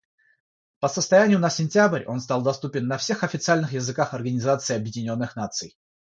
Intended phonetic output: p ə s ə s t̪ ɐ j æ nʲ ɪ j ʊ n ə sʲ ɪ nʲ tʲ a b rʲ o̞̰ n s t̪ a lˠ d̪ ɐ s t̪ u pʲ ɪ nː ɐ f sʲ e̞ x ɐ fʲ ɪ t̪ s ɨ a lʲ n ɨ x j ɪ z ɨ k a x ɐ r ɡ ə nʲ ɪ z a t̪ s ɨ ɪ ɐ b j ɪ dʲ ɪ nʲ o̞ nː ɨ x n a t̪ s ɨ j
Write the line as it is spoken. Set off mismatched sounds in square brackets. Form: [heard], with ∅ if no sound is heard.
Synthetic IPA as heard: p ə s ə s t̪ ɐ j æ nʲ ɪ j ʊ n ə sʲ ɪ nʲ tʲ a b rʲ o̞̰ n s t̪ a lˠ d̪ ɐ s t̪ u pʲ ɪ nː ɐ f sʲ e̞ x ɐ fʲ ɪ t̪ s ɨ a lʲ n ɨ x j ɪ z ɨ k a x ɐ r ɡ ə nʲ ɪ z a t̪ s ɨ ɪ ɐ b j ɪ dʲ ɪ nʲ o̞ nː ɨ x n a t̪ s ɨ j